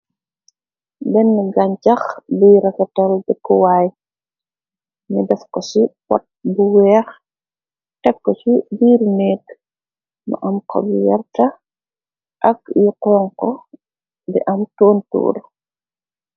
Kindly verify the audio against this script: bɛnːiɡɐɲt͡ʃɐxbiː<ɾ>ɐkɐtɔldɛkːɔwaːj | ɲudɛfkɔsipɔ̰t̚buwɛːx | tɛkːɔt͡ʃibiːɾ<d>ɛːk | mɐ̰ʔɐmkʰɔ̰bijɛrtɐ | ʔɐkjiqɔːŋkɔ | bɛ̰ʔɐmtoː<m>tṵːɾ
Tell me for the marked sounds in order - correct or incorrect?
correct, incorrect: n, incorrect: n

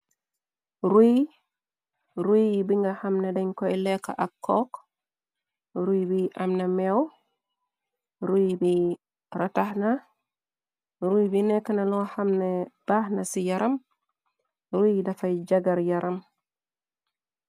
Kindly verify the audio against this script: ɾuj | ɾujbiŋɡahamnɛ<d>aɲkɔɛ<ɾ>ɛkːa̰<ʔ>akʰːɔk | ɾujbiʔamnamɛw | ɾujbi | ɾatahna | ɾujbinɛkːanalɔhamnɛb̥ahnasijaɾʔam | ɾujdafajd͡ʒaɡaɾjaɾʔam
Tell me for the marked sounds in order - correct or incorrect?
correct, incorrect: l, correct

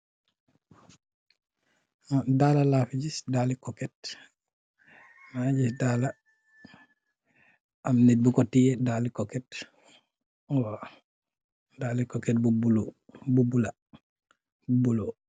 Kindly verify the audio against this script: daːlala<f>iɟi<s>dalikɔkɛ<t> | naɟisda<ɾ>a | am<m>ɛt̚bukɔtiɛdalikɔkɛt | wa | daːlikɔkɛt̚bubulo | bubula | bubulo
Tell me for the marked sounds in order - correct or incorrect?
correct, correct, correct, incorrect: l, incorrect: n

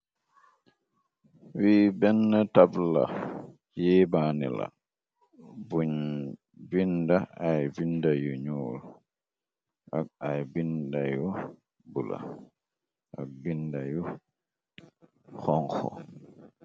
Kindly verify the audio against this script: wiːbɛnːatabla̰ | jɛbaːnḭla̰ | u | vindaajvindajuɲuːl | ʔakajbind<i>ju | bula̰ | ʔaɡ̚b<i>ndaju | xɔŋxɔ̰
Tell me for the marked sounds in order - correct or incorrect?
incorrect: a, correct

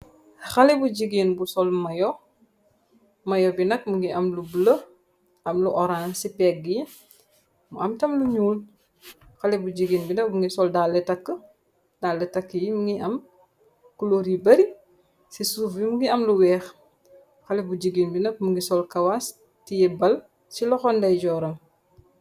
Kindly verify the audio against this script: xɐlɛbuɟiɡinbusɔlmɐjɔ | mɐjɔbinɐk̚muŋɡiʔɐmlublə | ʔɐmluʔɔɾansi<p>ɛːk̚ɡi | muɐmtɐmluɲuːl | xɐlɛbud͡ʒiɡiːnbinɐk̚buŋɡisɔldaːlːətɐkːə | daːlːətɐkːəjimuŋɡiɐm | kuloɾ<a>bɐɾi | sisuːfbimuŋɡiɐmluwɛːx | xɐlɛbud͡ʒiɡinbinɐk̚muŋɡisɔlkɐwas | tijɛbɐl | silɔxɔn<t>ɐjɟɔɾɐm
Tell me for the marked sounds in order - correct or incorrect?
correct, incorrect: i, incorrect: d

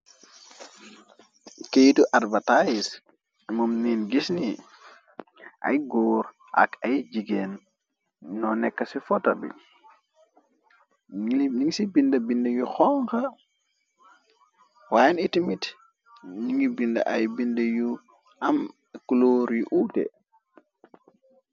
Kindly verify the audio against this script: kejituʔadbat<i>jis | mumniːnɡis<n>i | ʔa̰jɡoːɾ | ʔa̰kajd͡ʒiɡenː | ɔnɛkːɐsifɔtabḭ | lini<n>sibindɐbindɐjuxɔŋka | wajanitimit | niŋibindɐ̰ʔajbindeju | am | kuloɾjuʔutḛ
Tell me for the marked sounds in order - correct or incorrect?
incorrect: a, correct, incorrect: ŋ

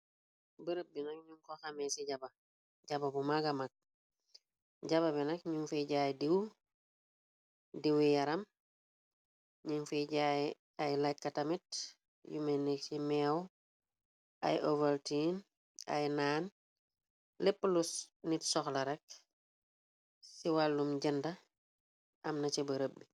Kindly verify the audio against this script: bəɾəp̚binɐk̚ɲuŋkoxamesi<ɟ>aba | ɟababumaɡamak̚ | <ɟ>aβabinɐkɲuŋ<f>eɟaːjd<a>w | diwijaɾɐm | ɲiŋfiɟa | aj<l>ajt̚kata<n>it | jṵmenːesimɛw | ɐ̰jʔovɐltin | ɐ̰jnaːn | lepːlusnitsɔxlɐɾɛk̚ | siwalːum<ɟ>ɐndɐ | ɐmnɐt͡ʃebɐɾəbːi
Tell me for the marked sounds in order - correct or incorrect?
correct, correct, correct, incorrect: i, correct, incorrect: m, correct

